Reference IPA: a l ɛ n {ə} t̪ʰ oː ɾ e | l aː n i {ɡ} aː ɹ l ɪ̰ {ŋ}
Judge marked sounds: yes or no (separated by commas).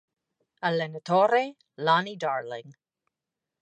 yes, no, yes